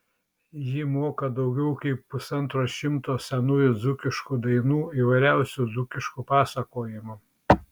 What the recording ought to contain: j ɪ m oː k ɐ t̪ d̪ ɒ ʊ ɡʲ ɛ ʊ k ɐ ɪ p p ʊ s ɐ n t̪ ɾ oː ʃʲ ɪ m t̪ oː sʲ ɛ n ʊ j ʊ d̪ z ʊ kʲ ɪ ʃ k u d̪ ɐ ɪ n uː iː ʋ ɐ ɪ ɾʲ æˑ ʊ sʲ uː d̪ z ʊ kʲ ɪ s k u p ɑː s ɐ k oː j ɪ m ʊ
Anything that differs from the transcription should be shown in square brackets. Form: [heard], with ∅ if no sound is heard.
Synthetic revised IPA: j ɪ m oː k ɐ [∅] d̪ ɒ ʊ ɡʲ ɛ ʊ k ɐ ɪ p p ʊ s ɐ n t̪ ɾ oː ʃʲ ɪ m t̪ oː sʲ ɛ n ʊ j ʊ d̪ z ʊ kʲ ɪ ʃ k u d̪ ɐ ɪ n uː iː ʋ ɐ ɪ ɾʲ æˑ ʊ sʲ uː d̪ z ʊ kʲ ɪ [ʃ] k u p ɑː s ɐ k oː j ɪ m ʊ

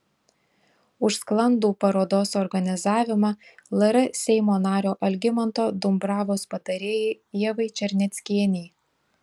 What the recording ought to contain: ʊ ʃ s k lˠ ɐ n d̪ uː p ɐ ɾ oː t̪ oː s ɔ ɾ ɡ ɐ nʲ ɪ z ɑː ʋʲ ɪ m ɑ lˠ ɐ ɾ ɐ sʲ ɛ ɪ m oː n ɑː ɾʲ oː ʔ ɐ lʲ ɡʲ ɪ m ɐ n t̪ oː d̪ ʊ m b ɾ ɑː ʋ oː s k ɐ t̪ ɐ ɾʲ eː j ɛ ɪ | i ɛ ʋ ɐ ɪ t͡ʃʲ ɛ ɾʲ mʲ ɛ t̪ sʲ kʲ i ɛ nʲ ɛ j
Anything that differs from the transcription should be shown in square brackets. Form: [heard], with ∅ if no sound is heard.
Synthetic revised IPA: ʊ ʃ s k lˠ ɐ n d̪ uː p ɐ ɾ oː [d̪] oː s ɔ ɾ ɡ ɐ nʲ ɪ z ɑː ʋʲ ɪ m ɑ lˠ ɐ ɾ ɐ sʲ ɛ ɪ m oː n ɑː ɾʲ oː ʔ ɐ lʲ ɡʲ ɪ m ɐ n t̪ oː d̪ ʊ m b ɾ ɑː ʋ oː s [p] ɐ t̪ ɐ ɾʲ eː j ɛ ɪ | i ɛ ʋ ɐ ɪ t͡ʃʲ ɛ ɾʲ [nʲ] ɛ t̪ sʲ kʲ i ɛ nʲ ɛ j

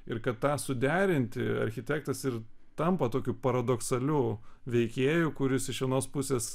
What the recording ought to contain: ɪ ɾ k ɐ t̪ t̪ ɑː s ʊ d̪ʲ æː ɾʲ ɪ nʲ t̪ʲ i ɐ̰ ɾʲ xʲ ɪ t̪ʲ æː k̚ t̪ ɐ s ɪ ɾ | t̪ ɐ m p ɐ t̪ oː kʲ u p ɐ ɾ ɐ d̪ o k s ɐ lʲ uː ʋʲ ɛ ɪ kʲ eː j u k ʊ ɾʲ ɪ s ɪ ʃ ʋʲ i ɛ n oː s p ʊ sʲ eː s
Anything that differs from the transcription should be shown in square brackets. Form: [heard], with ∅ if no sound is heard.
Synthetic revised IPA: ɪ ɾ k ɐ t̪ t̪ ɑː s ʊ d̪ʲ æː ɾʲ ɪ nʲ t̪ʲ [ɪ] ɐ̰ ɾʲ xʲ ɪ t̪ʲ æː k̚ t̪ ɐ s ɪ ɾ | t̪ ɐ m p ɐ t̪ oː kʲ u p ɐ ɾ ɐ d̪ o k s ɐ lʲ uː ʋʲ ɛ ɪ kʲ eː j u k ʊ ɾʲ ɪ s ɪ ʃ ʋʲ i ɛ n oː s p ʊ sʲ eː s

